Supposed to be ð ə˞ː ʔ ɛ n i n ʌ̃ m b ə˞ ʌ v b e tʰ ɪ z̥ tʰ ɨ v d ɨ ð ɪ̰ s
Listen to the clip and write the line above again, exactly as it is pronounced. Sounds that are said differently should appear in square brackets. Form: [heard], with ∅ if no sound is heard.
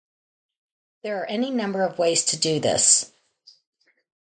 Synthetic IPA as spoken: ð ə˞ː ʔ ɛ n i n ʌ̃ m b ə˞ ʌ v [w] e [∅] ɪ z̥ tʰ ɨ [∅] d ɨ ð ɪ̰ s